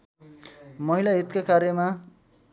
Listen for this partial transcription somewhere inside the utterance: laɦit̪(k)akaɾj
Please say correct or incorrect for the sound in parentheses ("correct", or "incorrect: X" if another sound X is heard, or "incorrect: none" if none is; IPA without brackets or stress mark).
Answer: correct